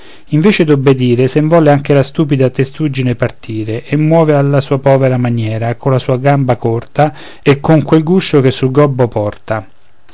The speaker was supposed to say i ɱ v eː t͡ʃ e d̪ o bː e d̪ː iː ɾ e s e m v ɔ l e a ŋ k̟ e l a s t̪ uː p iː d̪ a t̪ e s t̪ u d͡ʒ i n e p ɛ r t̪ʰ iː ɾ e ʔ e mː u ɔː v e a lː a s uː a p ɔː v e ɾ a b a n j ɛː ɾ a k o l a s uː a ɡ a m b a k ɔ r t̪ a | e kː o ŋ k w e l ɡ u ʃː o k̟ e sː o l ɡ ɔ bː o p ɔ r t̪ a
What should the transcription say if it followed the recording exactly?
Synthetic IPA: i ɱ v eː t͡ʃ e d̪ o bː e d̪ iː ɾ e s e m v ɔ l e a ŋ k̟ e l a s t̪ uː p i d̪ a t̪ e s t̪ u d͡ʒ i n e p a r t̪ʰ iː ɾ e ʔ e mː w ɔː v e a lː a s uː a p ɔː v e ɾ a m a n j ɛː ɾ a k o l a s uː a ɡ a m b a k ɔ r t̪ a | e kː o ŋ k w e l ɡ u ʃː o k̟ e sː u l ɡ ɔ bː o p ɔ r t̪ a